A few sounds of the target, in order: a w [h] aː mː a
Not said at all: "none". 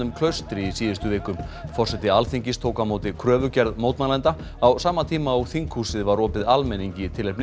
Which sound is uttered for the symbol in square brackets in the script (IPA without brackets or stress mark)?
s